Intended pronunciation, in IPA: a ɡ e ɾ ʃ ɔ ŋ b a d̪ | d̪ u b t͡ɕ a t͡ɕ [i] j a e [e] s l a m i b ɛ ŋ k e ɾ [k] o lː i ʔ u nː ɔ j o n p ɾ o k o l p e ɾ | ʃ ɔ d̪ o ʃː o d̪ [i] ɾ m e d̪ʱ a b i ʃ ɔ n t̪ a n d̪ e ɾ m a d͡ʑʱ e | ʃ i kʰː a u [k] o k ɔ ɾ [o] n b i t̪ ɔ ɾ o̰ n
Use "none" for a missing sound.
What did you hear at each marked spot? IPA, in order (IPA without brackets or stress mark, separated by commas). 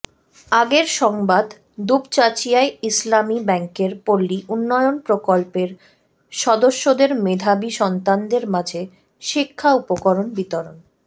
i, i, p, e, p, o